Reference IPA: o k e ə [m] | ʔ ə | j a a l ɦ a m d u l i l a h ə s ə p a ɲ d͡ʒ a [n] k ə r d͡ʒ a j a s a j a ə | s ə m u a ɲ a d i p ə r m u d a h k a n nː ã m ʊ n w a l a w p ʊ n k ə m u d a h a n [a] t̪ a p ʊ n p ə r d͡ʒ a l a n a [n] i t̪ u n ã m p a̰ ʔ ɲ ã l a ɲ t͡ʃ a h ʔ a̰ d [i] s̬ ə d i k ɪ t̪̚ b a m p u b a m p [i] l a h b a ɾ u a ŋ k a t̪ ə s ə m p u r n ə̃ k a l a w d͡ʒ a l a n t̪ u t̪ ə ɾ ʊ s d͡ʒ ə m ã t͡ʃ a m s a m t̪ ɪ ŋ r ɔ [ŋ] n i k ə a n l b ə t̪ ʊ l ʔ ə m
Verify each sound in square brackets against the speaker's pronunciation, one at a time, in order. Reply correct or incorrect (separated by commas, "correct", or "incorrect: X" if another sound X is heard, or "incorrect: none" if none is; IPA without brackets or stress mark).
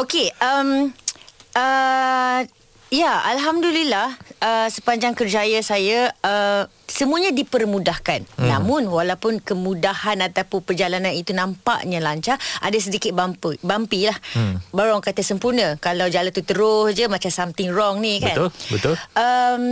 correct, incorrect: ŋ, correct, correct, incorrect: a, correct, correct